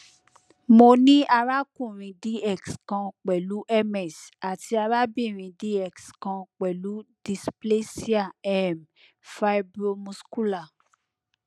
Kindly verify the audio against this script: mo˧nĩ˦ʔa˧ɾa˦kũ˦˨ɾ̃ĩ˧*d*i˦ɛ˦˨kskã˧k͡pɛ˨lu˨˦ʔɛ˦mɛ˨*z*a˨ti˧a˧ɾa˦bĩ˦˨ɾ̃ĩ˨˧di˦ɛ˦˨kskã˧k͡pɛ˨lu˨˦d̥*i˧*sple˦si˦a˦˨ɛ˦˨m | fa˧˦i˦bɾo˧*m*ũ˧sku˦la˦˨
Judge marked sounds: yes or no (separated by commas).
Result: yes, no, yes, yes